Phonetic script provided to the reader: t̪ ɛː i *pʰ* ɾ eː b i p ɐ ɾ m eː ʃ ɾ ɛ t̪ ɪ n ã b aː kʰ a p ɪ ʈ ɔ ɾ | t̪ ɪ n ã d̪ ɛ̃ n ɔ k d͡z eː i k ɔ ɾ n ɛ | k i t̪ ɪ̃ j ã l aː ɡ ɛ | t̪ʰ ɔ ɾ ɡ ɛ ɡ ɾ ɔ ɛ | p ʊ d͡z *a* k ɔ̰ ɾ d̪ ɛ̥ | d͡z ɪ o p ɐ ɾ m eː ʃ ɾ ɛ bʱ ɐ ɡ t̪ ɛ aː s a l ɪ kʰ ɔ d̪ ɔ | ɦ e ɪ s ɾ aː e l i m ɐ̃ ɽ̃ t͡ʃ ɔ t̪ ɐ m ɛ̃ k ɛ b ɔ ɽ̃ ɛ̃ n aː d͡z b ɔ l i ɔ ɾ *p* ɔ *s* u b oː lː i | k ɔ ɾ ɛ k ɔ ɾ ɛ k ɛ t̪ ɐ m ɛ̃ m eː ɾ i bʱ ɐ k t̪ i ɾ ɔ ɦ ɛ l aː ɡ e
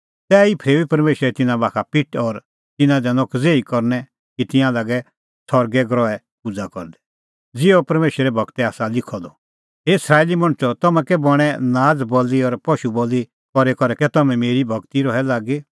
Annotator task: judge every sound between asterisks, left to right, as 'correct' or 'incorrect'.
correct, correct, correct, incorrect

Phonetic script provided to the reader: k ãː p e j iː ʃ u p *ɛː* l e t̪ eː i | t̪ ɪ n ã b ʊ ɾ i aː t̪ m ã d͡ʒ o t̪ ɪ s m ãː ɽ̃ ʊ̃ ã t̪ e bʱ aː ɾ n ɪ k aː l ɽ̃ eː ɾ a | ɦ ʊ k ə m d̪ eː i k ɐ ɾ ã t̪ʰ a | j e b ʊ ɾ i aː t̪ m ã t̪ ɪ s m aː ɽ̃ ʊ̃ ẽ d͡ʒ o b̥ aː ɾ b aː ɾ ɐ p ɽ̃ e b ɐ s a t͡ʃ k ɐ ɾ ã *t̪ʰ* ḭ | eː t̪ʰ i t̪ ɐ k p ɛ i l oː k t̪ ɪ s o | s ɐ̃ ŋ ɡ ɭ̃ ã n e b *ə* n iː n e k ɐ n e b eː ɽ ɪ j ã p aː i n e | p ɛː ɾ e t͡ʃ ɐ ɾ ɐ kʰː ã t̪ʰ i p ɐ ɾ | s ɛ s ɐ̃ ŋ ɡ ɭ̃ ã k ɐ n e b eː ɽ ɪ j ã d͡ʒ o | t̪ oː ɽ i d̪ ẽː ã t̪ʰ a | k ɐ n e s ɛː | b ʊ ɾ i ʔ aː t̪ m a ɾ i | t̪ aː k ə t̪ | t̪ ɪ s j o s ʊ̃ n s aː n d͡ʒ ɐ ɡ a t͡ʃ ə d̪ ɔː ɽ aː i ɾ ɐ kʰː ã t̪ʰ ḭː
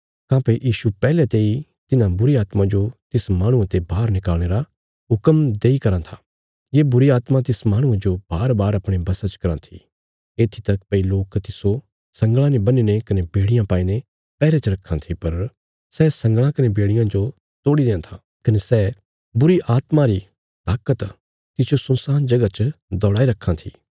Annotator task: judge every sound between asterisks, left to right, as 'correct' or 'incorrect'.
correct, correct, incorrect

